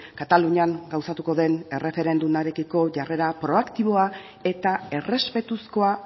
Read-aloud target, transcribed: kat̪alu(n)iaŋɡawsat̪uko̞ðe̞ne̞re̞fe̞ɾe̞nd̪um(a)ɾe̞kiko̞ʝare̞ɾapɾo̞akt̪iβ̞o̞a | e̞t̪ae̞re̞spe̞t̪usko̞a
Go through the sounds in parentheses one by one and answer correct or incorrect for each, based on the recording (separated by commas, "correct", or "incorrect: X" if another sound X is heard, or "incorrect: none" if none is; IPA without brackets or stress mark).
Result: incorrect: ɲ, correct